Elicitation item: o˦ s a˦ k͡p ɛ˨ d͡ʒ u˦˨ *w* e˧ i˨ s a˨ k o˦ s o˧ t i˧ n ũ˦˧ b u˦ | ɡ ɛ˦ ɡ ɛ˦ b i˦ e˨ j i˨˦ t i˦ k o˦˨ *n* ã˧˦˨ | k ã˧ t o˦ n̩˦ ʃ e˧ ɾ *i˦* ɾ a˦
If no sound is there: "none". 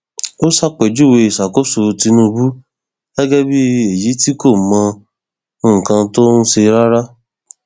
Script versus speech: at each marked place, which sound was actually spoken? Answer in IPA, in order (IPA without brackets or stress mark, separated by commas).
w, m, a˦